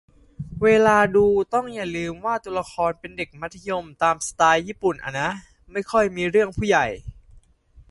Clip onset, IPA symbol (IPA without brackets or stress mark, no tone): w